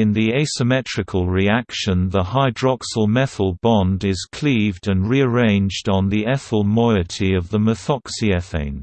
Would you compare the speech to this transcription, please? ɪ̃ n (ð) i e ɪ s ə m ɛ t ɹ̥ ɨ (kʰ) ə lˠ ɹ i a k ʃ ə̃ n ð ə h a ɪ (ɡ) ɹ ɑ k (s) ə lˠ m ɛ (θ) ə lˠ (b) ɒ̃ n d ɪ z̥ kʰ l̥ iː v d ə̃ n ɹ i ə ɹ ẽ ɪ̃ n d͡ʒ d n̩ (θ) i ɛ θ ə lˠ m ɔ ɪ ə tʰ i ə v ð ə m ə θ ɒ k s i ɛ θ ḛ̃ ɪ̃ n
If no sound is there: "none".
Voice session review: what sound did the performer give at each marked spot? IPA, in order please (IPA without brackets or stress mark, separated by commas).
ð, kʰ, d, s, θ, b, ð